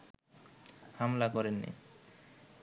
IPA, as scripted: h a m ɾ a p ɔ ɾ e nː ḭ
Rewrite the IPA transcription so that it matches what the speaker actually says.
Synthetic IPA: h a m l a k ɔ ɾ e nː ḭ